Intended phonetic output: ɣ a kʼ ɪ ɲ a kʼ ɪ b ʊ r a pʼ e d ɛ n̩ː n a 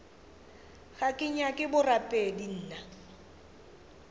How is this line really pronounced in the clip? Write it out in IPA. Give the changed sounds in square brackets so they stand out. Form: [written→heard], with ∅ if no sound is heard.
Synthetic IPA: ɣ a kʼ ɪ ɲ a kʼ ɪ b ʊ r a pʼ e d [ɛ→i] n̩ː n a